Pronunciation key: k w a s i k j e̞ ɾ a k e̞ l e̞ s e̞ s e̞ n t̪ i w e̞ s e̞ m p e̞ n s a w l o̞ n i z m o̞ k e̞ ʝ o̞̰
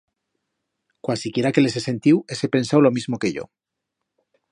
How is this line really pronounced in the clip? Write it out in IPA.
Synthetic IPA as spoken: k w a s i k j e̞ ɾ a k e̞ l e̞ s e̞ s e̞ n t̪ i w e̞ s e̞ p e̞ n s a w l o̞ m i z m o̞ k e̞ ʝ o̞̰